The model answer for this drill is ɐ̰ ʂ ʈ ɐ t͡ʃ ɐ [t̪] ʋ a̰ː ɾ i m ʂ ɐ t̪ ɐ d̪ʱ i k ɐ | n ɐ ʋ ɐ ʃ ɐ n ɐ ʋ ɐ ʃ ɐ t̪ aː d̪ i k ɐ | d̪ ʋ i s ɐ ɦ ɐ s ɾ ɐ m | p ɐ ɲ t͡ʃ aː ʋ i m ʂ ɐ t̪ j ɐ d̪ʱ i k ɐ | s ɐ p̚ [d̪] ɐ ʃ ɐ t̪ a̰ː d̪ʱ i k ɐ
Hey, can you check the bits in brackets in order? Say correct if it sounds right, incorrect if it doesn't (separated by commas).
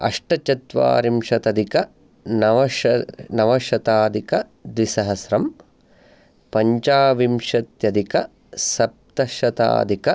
correct, incorrect